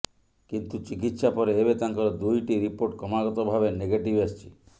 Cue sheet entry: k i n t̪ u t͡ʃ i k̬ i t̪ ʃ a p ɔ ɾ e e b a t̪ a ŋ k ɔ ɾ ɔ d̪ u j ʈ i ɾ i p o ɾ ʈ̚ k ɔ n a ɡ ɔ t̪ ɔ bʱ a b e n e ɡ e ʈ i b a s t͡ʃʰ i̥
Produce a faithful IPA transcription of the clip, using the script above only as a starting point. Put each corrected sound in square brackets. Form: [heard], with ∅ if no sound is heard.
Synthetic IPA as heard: k i n t̪ u t͡ʃ i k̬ i t̪ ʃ a p ɔ ɾ e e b [e] t̪ a ŋ k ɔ ɾ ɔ d̪ u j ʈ i ɾ i p o ɾ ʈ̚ k ɔ [m] a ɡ ɔ t̪ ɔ bʱ a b e n e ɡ e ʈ i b a s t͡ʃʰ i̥